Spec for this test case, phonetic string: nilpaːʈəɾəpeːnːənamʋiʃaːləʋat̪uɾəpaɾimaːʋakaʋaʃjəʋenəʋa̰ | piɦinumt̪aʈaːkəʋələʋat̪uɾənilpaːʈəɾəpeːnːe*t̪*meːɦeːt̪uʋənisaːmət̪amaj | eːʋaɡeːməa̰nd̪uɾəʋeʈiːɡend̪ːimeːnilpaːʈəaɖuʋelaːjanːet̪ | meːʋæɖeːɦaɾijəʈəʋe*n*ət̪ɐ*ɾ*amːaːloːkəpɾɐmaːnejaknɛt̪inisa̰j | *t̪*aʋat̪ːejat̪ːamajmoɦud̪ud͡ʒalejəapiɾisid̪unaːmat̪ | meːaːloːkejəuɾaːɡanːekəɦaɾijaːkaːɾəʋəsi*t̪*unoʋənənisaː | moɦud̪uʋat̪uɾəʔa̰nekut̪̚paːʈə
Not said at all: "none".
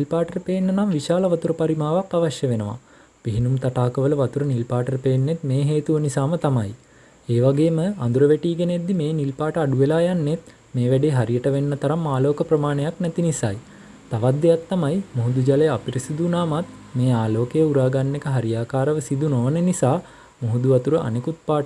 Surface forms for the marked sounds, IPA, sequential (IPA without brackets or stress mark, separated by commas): t̪, nː, ɾ, t̪, d̪